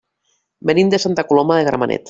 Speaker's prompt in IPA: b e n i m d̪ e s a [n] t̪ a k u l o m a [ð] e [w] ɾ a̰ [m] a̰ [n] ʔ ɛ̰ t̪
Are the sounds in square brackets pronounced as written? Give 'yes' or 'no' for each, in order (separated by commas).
yes, yes, no, yes, yes